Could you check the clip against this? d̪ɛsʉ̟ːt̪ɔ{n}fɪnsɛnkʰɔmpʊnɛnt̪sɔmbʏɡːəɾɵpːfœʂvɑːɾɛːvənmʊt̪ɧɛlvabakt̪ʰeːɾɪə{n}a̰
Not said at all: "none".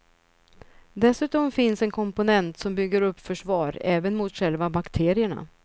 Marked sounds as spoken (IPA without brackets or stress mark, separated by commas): m, ɳ